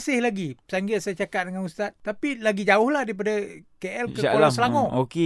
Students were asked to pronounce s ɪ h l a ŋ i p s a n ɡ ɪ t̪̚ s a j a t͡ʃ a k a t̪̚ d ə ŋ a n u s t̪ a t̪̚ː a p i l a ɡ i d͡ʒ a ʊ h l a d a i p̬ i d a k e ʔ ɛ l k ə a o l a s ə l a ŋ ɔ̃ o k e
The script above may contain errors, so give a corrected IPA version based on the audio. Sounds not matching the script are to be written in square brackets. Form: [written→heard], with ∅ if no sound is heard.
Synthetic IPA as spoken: s ɪ h l a [ŋ→ɡ] i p s a [n→ŋ] ɡ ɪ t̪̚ s a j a t͡ʃ a k a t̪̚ d ə ŋ a n u s t̪ a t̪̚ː a p i l a ɡ i d͡ʒ a ʊ h l a d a i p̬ [i→a] d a k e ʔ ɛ l k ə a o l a s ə l a ŋ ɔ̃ o k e